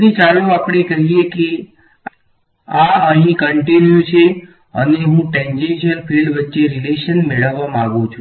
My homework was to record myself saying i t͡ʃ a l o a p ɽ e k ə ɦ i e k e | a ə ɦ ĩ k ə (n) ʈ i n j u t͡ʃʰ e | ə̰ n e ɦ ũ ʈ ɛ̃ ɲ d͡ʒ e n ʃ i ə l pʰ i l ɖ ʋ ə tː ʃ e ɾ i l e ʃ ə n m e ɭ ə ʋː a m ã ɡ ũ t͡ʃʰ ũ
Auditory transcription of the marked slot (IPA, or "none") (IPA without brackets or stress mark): ɳ